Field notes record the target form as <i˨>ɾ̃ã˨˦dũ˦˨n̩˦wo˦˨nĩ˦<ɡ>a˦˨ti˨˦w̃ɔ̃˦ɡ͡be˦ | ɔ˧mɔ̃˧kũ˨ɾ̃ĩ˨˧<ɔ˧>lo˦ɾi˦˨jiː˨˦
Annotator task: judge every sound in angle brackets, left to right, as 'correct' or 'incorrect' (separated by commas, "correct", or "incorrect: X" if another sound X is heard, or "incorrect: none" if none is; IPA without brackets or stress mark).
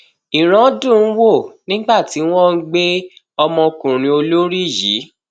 correct, incorrect: ɡ͡b, incorrect: o˧